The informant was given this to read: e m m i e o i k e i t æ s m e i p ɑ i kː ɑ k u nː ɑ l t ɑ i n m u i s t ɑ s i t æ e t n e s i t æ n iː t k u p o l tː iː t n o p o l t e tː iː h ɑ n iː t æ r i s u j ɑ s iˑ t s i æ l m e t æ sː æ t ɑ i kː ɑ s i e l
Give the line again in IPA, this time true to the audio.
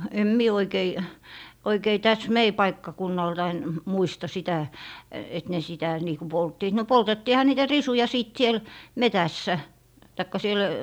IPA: e m m i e o i k e i t æ s m e i p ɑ i kː ɑ k u nː ɑ l t ɑ i n m u i s t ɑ s i t æ e t n e s i t æ n iː k u p o l tː iː t n o p o l t e tː iː h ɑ n iː t æ r i s u j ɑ s iˑ t s i e l m e t æ sː æ t ɑ i kː ɑ s i e l